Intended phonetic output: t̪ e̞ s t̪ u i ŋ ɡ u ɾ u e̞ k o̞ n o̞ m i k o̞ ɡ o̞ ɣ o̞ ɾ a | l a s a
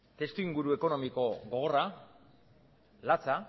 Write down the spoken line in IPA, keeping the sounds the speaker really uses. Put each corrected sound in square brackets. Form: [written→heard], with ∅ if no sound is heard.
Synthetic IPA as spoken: t̪ e̞ s t̪ u i ŋ ɡ u ɾ u e̞ k o̞ n o̞ m i k o̞ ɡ o̞ ɣ o̞ [ɾ→r] a | l a [s→t͡s] a